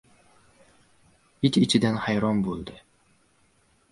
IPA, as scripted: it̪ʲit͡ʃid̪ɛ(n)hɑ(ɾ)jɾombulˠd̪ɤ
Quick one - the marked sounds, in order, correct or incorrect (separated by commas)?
correct, incorrect